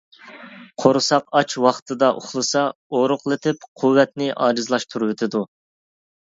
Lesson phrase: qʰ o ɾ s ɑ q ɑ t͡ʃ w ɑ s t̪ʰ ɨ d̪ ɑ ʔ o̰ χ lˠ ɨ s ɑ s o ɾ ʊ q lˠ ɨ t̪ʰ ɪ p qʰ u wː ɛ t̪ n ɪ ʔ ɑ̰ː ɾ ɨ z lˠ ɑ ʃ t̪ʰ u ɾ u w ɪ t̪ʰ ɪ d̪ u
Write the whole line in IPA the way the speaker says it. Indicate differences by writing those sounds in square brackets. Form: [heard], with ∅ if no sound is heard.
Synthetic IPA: qʰ o ɾ s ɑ q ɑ t͡ʃ w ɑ [χ] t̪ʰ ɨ d̪ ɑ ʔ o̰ χ lˠ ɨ s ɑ [∅] o ɾ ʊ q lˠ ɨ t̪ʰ ɪ p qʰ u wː ɛ t̪ n ɪ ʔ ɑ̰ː ɾ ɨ z lˠ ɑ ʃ t̪ʰ u ɾ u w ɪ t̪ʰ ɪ d̪ u